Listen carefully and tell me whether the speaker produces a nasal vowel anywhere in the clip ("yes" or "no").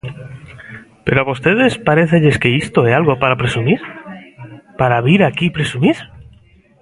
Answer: no